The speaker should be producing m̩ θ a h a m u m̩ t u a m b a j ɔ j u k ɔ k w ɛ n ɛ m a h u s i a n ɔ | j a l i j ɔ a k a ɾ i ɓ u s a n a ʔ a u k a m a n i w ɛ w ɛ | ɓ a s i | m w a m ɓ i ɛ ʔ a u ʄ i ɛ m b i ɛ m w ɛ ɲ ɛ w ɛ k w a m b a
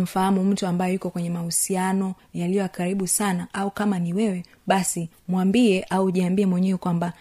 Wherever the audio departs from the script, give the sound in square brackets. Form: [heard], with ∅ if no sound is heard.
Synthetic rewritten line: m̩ [f] a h a m u m̩ t u a m b a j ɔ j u k ɔ k w ɛ [ɲ] ɛ m a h u s i a n ɔ | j a l i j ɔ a k a ɾ i ɓ u s a n a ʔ a u k a m a n i w ɛ w ɛ | ɓ a s i | m w a m [b] i ɛ ʔ a u ʄ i [a] m b i ɛ m w ɛ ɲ ɛ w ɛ k w a m b a